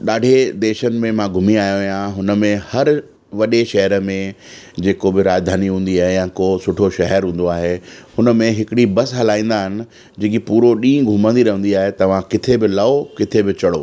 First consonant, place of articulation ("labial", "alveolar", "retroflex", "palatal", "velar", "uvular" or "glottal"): alveolar